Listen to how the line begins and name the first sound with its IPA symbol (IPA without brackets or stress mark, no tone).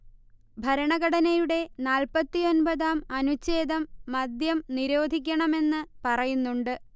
bʱ